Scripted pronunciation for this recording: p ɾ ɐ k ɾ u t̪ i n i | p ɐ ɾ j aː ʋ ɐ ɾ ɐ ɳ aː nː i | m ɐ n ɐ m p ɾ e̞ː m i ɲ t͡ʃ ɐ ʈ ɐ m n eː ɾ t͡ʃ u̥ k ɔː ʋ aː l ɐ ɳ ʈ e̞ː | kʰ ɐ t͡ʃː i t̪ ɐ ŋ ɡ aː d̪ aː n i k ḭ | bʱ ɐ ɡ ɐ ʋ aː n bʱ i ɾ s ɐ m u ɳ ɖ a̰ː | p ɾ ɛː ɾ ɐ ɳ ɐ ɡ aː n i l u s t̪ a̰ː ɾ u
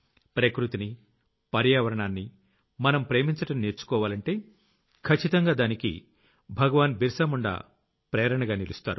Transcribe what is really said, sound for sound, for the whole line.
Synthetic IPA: p ɾ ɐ k ɾ u t̪ i n i | p ɐ ɾ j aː ʋ ɐ ɾ ɐ ɳ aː nː i | m ɐ n ɐ m p ɾ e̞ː m i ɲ t͡ʃ ɐ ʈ ɐ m n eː ɾ t͡ʃ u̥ k ɔː ʋ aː l ɐ ɳ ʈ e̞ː | kʰ ɐ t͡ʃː i t̪ ɐ ŋ ɡ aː d̪ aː n i k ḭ | bʱ ɐ ɡ ɐ ʋ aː n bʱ i ɾ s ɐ m u ɳ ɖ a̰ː | p ɾ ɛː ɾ ɐ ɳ ɐ ɡ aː n i l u s t̪ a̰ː ɾ u